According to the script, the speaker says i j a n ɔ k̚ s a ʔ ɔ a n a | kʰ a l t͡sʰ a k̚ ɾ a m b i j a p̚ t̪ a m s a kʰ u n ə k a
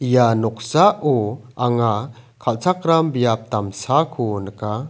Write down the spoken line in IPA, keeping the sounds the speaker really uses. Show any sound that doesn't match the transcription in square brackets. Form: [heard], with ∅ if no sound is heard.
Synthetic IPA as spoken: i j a n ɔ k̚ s a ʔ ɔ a [ŋ] a | kʰ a l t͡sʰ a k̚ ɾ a m b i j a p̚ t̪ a m s a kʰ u n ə k a